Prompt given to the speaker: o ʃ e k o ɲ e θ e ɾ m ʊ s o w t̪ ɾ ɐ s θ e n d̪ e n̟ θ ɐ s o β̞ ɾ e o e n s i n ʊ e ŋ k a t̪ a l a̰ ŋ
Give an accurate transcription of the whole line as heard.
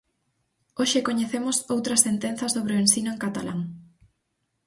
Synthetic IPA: o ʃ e k o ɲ e θ e m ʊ s o w t̪ ɾ ɐ s θ e n t̪ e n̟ θ ɐ s o β̞ ɾ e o e n s i n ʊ e ŋ k a t̪ a l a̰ ŋ